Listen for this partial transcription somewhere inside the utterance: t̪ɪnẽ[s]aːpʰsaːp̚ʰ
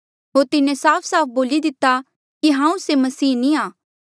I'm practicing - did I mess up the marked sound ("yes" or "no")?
no